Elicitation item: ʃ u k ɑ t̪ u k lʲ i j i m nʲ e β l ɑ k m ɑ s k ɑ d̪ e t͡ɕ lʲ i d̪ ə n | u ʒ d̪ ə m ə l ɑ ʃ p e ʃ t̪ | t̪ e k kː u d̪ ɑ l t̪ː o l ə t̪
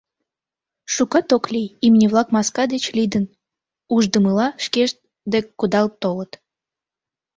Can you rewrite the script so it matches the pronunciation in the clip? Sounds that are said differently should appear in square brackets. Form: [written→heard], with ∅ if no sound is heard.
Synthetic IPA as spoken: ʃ u k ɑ t̪ [u→o] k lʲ i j i m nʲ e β l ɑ k m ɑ s k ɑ d̪ e t͡ɕ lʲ i d̪ ə n | u ʒ d̪ ə m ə l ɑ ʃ [p→k] e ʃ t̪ | [t̪→d̪] e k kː u d̪ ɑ l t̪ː o l ə t̪